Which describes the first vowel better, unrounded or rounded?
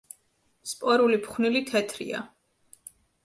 rounded